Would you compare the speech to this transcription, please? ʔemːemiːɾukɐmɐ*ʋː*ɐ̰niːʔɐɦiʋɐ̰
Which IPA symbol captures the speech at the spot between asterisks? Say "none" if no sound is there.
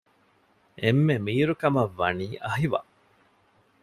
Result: ʋː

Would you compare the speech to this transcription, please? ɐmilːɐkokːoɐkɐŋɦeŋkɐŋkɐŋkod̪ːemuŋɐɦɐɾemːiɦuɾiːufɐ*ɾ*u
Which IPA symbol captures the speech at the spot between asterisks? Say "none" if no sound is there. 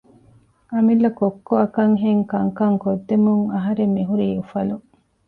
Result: l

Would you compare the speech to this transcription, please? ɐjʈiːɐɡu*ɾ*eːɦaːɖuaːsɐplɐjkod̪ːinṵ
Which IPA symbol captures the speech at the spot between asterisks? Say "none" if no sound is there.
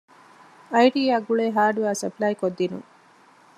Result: ɭ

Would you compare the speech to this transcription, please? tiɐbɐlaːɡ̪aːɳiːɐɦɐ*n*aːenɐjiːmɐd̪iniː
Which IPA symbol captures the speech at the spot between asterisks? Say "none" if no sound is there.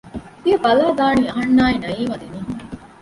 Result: nː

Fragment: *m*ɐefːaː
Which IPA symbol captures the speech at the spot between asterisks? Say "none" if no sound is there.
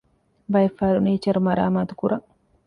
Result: b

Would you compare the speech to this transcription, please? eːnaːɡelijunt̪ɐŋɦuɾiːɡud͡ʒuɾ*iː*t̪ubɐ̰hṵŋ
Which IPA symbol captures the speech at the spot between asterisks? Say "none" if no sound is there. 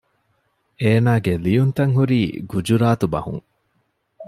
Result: aː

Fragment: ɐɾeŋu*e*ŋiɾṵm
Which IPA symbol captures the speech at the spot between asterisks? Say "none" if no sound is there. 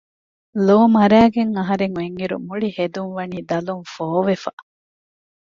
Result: e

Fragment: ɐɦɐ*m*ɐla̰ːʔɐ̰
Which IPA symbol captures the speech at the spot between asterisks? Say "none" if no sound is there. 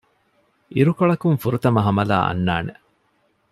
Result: m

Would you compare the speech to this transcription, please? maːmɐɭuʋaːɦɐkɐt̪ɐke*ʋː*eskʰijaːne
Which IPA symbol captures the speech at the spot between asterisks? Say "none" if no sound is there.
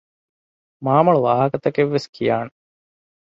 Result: ʋː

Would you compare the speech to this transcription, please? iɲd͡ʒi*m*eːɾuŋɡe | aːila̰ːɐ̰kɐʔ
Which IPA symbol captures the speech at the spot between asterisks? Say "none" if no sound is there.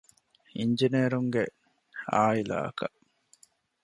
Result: n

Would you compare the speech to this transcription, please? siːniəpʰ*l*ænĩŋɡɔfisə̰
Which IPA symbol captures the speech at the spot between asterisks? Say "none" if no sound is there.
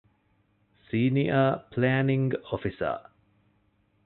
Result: l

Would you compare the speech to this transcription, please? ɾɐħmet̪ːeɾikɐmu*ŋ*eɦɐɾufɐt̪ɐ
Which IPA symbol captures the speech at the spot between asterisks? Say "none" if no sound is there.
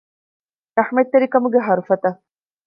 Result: ɡ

